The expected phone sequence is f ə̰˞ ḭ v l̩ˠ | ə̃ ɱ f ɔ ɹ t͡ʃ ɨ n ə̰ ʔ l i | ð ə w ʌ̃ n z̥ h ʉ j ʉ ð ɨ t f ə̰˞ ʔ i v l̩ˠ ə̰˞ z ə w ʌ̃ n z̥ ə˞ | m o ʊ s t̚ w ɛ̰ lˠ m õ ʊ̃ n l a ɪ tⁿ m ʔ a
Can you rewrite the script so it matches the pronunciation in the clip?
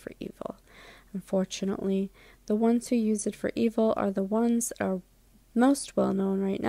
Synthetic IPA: f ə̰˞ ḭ v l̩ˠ | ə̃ ɱ f ɔ ɹ t͡ʃ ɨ n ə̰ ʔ l i | ð ə w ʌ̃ n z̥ h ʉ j ʉ z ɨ t f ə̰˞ ʔ i v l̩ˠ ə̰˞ ð ə w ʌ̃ n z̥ ə˞ | m o ʊ s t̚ w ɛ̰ lˠ n õ ʊ̃ n ɹ a ɪ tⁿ n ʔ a